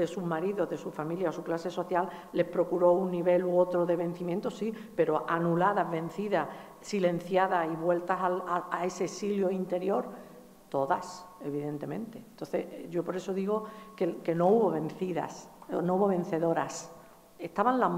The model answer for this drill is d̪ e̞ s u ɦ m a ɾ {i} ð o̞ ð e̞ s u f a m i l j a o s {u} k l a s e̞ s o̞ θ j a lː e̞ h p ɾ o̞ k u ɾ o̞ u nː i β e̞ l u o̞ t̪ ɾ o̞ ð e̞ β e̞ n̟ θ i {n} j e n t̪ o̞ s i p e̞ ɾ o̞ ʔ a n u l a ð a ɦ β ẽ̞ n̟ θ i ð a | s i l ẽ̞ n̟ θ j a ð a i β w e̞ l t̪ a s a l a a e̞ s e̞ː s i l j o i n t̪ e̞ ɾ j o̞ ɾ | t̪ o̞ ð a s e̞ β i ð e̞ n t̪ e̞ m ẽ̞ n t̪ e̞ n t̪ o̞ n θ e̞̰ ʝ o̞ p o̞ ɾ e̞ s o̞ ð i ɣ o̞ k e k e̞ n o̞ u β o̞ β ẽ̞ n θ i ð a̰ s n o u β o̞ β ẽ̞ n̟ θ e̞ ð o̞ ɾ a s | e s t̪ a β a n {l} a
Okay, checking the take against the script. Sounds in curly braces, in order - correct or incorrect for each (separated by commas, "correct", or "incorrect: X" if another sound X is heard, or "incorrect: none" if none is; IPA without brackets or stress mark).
correct, correct, incorrect: m, correct